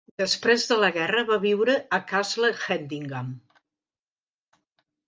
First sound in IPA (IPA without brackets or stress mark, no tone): d̪